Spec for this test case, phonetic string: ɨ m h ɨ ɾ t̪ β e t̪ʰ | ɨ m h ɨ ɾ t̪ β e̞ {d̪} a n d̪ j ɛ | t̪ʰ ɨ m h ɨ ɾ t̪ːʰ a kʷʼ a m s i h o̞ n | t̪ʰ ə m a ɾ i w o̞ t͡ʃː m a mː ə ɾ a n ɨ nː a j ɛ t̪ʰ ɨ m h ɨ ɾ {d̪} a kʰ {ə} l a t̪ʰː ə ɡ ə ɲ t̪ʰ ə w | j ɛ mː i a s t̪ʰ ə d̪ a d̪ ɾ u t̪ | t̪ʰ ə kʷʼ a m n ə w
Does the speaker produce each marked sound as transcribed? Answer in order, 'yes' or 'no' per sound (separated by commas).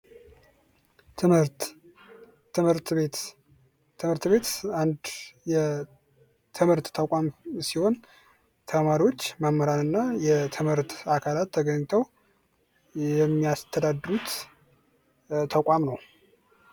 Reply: no, no, no